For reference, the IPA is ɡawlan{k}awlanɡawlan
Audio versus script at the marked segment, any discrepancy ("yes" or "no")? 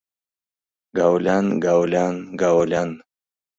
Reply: yes